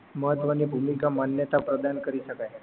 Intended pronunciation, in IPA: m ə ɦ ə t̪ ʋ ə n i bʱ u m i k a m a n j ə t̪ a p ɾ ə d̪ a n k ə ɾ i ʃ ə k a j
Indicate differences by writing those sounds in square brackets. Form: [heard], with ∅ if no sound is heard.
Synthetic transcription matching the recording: m ə ɦ ə t̪ ʋ ə n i bʱ u m i k a m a n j ə t̪ a p ɾ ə d̪ a n k ə ɾ i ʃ ə k a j